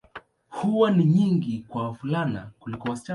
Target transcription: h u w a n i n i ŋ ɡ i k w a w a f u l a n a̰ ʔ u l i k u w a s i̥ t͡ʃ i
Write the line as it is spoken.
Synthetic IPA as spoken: h u w a n i ɲ i ŋ ɡ i k w a w a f u l a n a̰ k u l i k ɔ w a s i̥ t͡ʃ a